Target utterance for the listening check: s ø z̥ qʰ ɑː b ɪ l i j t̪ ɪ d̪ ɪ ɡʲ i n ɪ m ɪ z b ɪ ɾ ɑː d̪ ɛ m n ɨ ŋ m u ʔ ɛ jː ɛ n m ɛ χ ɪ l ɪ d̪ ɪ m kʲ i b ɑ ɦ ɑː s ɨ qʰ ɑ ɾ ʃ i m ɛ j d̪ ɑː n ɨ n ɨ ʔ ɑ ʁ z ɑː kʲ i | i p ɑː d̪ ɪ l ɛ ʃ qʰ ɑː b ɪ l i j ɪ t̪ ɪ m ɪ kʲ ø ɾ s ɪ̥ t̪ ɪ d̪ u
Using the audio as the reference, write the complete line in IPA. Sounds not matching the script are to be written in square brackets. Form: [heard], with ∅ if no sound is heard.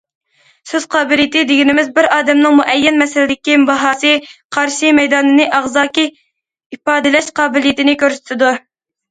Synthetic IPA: s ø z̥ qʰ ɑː b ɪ l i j t̪ ɪ d̪ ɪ ɡʲ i n ɪ m ɪ z b ɪ ɾ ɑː d̪ ɛ m n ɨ ŋ m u ʔ ɛ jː ɛ n m ɛ [s] ɪ l ɪ d̪ ɪ [∅] kʲ i b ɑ ɦ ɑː s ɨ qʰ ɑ ɾ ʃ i m ɛ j d̪ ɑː n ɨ n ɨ ʔ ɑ ʁ z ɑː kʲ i | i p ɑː d̪ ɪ l ɛ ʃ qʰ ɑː b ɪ l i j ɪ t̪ ɪ [n] ɪ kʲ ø ɾ s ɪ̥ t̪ ɪ d̪ u